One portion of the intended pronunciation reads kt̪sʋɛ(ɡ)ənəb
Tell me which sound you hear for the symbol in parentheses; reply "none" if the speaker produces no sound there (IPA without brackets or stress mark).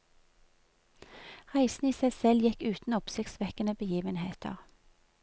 k